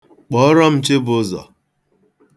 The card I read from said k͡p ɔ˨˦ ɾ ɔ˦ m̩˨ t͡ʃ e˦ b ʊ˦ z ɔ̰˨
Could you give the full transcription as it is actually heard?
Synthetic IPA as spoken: k͡p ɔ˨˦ ɾ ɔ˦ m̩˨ t͡ʃ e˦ b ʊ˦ z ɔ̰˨